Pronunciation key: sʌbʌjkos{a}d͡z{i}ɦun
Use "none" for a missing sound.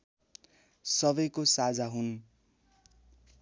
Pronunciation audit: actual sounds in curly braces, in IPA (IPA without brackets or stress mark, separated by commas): a, a